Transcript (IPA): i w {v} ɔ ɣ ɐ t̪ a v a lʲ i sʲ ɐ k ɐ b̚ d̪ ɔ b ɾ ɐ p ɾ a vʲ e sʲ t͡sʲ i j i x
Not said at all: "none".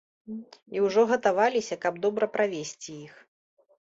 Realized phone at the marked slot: ʐ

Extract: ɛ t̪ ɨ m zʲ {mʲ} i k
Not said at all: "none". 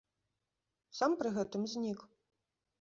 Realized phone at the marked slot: nʲ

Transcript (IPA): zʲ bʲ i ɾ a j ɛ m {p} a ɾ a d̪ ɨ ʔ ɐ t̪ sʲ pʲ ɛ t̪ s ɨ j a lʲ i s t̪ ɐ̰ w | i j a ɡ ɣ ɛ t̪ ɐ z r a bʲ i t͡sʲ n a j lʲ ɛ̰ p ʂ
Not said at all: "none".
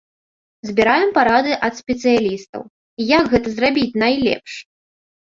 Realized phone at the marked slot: p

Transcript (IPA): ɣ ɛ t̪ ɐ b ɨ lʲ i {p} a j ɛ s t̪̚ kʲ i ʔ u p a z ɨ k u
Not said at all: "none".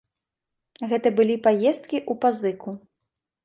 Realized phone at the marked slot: p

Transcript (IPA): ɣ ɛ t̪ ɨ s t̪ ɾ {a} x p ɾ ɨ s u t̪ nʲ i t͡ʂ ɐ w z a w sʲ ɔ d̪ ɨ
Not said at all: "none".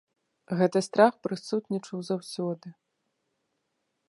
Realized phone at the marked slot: a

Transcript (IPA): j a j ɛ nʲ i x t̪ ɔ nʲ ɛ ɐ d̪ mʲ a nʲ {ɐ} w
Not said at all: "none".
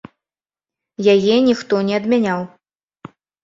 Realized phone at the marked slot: a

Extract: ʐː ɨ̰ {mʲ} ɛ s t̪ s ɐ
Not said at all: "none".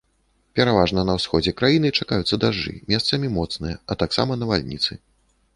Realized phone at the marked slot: mʲ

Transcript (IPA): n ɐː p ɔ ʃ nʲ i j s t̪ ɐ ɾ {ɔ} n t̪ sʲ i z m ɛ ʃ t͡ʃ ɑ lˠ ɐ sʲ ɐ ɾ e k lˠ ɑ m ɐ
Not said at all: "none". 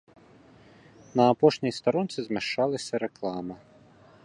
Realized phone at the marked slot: ɔ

